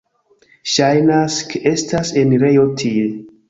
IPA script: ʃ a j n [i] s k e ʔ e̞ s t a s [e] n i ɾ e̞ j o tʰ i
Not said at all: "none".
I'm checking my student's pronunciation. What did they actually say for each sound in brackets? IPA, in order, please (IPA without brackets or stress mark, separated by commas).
a, e